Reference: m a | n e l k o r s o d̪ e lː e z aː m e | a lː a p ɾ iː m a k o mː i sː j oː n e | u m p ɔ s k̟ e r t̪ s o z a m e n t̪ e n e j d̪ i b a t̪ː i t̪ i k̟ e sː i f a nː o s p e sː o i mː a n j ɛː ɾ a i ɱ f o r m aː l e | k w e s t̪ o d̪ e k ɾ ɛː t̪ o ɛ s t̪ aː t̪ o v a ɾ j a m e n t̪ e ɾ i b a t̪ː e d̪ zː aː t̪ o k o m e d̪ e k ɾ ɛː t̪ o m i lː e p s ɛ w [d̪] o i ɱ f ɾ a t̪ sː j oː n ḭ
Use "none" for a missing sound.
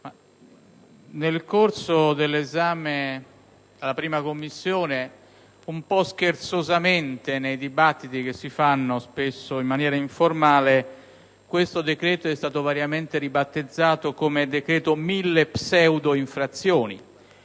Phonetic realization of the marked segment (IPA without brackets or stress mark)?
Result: d̪